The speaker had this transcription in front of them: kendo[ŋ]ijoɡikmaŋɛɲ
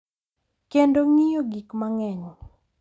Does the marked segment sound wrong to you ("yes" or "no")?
no